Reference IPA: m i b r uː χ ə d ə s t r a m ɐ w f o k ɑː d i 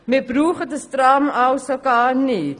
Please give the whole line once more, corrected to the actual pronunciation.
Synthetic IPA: m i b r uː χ ə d ə s t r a m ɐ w s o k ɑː n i